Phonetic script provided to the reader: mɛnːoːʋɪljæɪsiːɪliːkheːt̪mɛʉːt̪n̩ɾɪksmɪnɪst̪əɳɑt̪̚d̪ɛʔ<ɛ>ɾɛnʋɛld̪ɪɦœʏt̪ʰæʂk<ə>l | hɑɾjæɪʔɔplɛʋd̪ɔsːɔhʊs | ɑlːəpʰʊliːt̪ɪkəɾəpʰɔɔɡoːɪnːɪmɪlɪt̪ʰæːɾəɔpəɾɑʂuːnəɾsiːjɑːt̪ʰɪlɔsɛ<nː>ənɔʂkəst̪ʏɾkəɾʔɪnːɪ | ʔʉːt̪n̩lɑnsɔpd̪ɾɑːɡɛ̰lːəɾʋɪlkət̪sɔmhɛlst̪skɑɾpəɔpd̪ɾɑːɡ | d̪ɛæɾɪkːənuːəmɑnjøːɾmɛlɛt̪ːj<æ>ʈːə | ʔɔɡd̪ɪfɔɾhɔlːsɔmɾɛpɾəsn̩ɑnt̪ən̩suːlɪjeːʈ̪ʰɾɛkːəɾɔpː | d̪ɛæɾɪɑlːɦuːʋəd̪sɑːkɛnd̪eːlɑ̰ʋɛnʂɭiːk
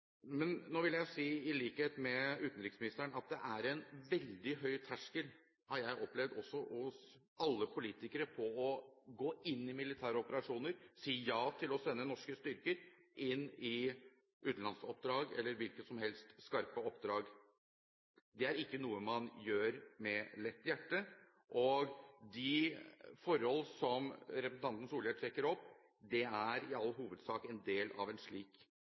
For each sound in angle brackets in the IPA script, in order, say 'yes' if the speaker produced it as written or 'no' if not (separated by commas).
no, yes, yes, yes